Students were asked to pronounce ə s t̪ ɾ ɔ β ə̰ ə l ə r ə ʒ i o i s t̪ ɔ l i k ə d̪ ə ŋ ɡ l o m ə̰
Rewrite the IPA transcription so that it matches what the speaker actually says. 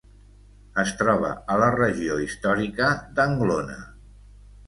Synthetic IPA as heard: ə s t̪ ɾ ɔ β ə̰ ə l ə r ə ʒ i o i s t̪ ɔ ɾ i k ə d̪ ə ŋ ɡ l o n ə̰